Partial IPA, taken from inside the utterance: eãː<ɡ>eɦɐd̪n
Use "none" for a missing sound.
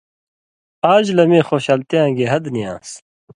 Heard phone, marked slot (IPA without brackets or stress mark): ɡ